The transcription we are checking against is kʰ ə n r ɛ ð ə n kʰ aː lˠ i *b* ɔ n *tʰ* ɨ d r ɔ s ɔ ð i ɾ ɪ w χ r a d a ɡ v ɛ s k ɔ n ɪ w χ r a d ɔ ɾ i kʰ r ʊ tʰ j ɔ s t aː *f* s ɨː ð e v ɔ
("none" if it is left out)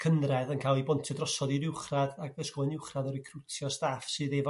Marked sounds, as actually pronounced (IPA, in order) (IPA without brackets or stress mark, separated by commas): b, tʰ, f